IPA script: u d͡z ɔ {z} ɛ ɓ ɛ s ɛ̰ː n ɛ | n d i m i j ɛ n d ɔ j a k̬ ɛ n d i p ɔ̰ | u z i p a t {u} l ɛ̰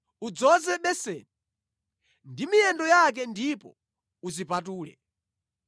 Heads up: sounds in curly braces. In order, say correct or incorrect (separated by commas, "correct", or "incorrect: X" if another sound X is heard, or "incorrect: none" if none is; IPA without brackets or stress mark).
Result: correct, incorrect: uː